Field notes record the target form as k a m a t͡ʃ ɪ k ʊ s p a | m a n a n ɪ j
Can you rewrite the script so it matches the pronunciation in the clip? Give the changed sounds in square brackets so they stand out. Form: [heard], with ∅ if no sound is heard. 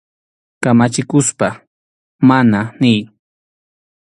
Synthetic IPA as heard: k a m a t͡ʃ ɪ k ʊ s p a | m a n a n ɪ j

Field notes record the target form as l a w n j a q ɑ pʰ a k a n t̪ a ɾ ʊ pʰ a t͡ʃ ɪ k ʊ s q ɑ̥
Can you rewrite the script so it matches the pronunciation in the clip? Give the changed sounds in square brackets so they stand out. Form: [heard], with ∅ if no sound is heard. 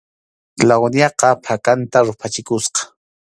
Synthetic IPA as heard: l a w n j [ɑ] q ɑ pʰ a k a n t̪ a ɾ ʊ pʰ a t͡ʃ ɪ k ʊ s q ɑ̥

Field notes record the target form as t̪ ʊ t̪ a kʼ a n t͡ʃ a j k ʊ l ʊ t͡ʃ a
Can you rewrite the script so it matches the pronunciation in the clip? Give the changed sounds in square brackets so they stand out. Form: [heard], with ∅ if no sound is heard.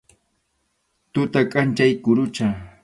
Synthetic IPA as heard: t̪ ʊ t̪ a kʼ a n t͡ʃ a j k ʊ [ɾ] ʊ t͡ʃ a

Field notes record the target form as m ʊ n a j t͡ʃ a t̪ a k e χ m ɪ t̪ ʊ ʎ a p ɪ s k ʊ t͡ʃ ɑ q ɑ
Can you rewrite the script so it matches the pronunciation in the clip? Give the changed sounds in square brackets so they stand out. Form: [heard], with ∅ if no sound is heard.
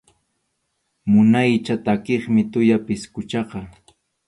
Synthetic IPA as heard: m ʊ n a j t͡ʃ a t̪ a k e χ m ɪ t̪ ʊ [j] a p ɪ s k ʊ t͡ʃ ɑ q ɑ

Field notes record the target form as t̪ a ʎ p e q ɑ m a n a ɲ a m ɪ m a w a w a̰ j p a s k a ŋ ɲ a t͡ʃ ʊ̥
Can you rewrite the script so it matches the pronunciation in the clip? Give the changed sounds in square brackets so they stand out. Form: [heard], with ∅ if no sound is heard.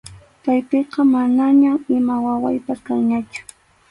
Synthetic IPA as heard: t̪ a [j] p e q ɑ m a n a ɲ a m ɪ m a w a w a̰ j p a s k a ŋ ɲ a t͡ʃ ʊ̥

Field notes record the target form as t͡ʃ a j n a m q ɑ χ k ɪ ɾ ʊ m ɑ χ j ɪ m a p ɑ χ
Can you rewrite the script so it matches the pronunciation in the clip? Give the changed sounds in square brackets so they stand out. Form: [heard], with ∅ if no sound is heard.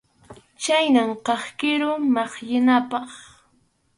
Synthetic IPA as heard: t͡ʃ a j n a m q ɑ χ k ɪ ɾ ʊ m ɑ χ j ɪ [n] a p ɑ χ

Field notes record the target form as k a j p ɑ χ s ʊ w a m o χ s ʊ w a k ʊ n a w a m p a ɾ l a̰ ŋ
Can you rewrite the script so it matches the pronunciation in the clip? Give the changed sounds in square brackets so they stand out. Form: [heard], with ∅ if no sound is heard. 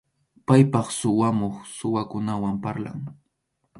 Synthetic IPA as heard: [p] a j p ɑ χ s ʊ w a m o χ s ʊ w a k ʊ n a w a m p a ɾ l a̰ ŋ

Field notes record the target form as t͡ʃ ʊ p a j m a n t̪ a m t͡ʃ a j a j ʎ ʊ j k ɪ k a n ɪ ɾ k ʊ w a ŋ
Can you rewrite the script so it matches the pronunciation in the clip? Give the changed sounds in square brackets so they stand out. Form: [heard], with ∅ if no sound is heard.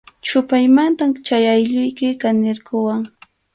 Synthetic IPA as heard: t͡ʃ ʊ p a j m a n t̪ a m t͡ʃ a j a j ʎ ʊ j k ɪ k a n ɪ ɾ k ʊ w a ŋ

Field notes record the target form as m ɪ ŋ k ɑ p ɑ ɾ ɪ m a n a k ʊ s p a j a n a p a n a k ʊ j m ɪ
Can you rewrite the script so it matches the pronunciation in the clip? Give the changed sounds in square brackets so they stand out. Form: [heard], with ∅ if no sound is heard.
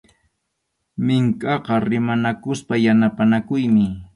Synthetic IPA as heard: m ɪ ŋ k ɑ [q] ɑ ɾ ɪ m a n a k ʊ s p a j a n a p a n a k ʊ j m ɪ

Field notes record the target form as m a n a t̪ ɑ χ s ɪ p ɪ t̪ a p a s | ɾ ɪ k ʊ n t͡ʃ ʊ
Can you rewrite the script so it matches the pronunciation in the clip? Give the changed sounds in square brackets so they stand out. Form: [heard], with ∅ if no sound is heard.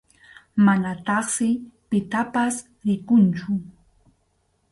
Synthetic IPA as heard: m a n a t̪ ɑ χ s ɪ p ɪ t̪ a p a s | ɾ ɪ k ʊ n t͡ʃ ʊ

